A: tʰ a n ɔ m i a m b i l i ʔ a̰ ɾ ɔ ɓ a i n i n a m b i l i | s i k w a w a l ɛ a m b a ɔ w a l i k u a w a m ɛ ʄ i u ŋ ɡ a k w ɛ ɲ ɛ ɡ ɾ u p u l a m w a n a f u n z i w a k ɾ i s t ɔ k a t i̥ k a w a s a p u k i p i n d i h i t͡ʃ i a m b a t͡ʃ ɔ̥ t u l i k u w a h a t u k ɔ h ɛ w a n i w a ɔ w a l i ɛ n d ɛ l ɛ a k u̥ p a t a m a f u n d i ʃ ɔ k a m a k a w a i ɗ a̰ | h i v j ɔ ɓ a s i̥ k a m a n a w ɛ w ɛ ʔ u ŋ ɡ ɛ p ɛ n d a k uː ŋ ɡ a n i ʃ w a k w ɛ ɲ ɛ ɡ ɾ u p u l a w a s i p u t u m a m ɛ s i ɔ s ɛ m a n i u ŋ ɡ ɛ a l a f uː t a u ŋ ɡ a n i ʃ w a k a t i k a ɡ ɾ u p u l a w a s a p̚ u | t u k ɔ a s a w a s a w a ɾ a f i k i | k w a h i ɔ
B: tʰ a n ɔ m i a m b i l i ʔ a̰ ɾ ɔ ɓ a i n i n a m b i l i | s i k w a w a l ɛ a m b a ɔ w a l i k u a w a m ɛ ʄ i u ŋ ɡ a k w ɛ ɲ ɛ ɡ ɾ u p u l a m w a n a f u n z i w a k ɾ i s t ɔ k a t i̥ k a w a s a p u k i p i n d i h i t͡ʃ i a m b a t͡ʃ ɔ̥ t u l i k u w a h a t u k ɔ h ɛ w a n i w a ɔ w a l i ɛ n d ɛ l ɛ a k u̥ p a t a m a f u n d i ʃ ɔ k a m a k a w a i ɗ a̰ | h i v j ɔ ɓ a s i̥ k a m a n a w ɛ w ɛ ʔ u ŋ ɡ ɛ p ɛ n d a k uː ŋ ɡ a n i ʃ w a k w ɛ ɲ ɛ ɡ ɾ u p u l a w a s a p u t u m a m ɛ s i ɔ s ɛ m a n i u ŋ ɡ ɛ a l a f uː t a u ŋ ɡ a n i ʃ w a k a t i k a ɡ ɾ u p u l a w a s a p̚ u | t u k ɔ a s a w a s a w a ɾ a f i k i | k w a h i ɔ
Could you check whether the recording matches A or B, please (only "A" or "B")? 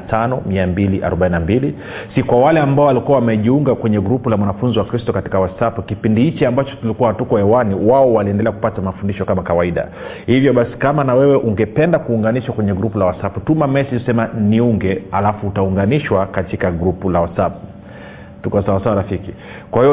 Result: B